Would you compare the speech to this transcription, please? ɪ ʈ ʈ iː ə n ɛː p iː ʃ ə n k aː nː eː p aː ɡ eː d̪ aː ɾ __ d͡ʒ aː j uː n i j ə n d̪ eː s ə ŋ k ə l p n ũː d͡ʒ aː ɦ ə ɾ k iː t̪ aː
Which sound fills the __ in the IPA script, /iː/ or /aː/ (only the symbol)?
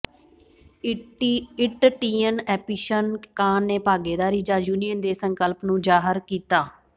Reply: iː